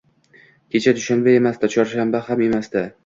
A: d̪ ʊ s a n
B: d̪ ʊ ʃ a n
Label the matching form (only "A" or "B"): B